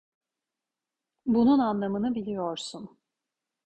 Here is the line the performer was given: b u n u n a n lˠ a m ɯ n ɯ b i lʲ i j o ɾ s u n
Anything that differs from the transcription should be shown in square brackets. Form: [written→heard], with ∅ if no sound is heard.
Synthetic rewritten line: b u n u n a n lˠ a m ɯ n ɯ b i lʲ i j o ɾ s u n

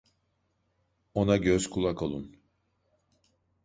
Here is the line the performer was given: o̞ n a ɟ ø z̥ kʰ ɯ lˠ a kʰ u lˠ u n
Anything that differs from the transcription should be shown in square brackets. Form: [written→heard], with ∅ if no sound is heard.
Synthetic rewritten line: o̞ n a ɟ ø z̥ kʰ [ɯ→u] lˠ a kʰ [u→o] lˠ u n

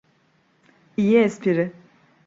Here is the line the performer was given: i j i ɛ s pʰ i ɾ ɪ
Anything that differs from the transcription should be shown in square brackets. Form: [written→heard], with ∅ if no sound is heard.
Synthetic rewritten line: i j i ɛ s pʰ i ɾ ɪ

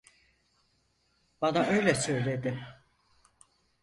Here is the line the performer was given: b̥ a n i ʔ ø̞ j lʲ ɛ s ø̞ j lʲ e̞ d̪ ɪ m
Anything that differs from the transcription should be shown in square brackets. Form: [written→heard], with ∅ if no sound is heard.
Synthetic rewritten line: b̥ a n [i→a] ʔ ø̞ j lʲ ɛ s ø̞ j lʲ e̞ d̪ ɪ m

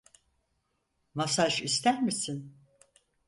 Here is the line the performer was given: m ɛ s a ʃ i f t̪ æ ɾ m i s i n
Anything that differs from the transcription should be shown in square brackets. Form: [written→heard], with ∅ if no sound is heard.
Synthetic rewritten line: m [ɛ→a] s a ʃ i [f→s] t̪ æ ɾ m i s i n

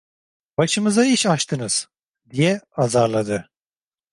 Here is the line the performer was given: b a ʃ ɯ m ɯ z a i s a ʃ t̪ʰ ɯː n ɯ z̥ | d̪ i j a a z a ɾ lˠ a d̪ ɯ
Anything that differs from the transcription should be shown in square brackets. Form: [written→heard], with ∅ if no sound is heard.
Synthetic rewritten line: b a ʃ ɯ m ɯ z a i [s→ʃ] a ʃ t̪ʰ [ɯː→ɯ] n ɯ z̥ | d̪ i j [a→ɛ] a z a ɾ lˠ a d̪ ɯ

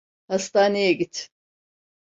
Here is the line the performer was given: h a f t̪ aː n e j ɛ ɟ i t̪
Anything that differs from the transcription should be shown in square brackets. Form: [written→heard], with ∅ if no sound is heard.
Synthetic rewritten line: h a [f→s] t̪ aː n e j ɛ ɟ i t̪

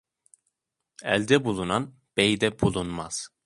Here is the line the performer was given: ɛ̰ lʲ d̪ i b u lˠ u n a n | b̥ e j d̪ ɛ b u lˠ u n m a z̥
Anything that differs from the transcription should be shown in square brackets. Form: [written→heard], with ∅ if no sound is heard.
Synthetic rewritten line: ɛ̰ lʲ d̪ [i→ɛ] b u lˠ u n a n | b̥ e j d̪ ɛ b u lˠ u n m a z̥

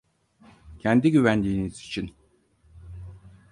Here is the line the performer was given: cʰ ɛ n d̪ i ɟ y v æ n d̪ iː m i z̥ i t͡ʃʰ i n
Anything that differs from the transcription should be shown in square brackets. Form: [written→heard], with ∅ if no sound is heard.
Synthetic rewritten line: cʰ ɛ n d̪ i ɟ y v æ n d̪ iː [m→n] i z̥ i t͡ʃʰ i n

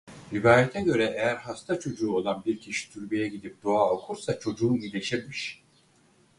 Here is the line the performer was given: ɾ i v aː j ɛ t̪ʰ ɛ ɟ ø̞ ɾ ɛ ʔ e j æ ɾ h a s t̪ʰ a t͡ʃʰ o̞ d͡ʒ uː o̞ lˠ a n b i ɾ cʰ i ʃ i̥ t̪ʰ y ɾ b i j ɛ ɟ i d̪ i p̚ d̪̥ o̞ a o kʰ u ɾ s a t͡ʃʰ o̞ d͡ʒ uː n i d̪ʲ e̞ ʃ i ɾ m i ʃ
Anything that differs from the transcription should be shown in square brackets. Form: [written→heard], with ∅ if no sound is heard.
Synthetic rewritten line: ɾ i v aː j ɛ t̪ʰ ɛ ɟ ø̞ ɾ ɛ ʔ e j æ ɾ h a s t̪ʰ a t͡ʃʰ o̞ d͡ʒ uː o̞ lˠ a n b i ɾ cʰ i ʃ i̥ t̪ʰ y ɾ b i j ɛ ɟ i d̪ i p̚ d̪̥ o̞ a o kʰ u ɾ s a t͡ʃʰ o̞ d͡ʒ uː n i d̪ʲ e̞ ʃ i ɾ m i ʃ

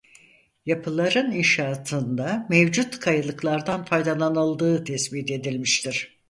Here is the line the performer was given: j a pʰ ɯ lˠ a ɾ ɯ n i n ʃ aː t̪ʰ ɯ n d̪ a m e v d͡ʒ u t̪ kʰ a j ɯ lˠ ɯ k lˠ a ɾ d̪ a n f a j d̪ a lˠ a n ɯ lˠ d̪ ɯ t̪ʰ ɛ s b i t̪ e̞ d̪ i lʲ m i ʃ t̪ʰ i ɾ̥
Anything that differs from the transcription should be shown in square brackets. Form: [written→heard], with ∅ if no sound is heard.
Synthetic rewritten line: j a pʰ ɯ lˠ a ɾ ɯ n i n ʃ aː t̪ʰ ɯ n d̪ a m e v d͡ʒ u t̪ kʰ a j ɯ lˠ ɯ k lˠ a ɾ d̪ a n f a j d̪ a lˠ a n ɯ lˠ d̪ [ɯ→ɯː] t̪ʰ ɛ s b i t̪ e̞ d̪ i lʲ m i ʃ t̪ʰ i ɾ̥

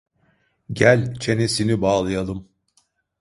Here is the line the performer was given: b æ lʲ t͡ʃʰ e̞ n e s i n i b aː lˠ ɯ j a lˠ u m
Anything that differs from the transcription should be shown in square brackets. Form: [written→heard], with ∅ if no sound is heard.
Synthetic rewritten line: [b→ɟ] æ lʲ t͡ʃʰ e̞ n e s i n i b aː lˠ ɯ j a lˠ [u→ɯ] m

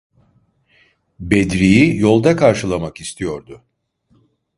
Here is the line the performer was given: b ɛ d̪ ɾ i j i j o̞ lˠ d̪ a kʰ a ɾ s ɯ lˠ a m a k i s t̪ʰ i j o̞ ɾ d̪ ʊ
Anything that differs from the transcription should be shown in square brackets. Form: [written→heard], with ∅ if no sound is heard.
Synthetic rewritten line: b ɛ d̪ ɾ i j i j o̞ lˠ d̪ a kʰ a ɾ [s→ʃ] ɯ lˠ a m a k i s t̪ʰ i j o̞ ɾ d̪ ʊ

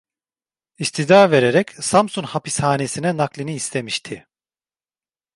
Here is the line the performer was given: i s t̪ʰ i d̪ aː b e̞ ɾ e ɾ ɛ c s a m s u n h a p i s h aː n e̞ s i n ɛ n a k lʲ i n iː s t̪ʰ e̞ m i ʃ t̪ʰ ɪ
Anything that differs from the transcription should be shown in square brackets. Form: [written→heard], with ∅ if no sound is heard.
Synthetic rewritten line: i s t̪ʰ i d̪ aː [b→v] e̞ ɾ e ɾ ɛ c s a m s u n h a p i s h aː n e̞ s i n ɛ n a k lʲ i n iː s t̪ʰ e̞ m i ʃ t̪ʰ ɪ

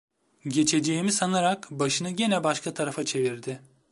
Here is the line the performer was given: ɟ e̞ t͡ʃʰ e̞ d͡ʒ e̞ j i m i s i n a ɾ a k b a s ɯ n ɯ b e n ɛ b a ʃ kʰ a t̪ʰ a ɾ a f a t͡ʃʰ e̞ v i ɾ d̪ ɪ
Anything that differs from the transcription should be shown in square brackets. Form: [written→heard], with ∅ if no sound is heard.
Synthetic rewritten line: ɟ e̞ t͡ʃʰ e̞ d͡ʒ e̞ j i m i s [i→a] n a ɾ a k b a [s→ʃ] ɯ n ɯ [b→ɟ] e n ɛ b a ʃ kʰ a t̪ʰ a ɾ a f a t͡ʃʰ e̞ v i ɾ d̪ ɪ

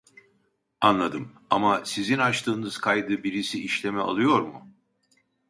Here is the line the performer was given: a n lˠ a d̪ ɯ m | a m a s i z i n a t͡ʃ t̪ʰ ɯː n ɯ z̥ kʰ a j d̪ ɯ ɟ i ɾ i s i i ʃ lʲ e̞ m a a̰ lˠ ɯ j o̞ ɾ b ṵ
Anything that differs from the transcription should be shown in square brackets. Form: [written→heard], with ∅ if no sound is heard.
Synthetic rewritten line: a n lˠ a d̪ ɯ m | a m a s i z i n a t͡ʃ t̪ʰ ɯː n ɯ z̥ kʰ a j d̪ ɯ [ɟ→b] i ɾ i s i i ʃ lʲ e̞ m [a→ɛ] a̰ lˠ ɯ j o̞ ɾ [b→m] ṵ

